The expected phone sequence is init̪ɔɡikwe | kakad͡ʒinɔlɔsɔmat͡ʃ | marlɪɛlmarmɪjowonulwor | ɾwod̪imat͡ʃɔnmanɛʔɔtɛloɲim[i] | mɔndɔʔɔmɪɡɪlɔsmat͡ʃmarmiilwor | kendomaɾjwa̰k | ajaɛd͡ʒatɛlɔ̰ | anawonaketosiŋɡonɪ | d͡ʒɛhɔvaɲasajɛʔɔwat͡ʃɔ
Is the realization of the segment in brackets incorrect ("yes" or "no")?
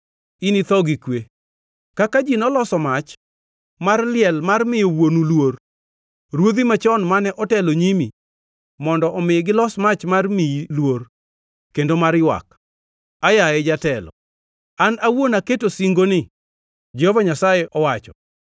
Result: no